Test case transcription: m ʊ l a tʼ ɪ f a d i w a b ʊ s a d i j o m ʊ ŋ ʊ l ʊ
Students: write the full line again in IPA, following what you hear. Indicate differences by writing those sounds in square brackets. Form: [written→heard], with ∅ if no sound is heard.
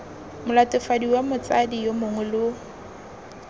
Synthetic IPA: m ʊ l a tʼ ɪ f a d i w a [b→m] ʊ [s→t͡s] a d i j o m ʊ ŋ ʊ l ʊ